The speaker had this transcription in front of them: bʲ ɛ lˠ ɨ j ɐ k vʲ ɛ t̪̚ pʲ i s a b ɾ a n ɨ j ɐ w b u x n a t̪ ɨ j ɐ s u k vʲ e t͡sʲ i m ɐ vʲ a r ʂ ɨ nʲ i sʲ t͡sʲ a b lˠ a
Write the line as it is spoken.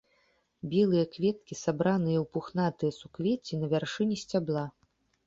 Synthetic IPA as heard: bʲ ɛ lˠ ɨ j ɐ k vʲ ɛ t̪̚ kʲ i s a b ɾ a n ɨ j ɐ w p u x n a t̪ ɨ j ɐ s u k vʲ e t͡sʲ i n ɐ vʲ a r ʂ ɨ nʲ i sʲ t͡sʲ a b lˠ a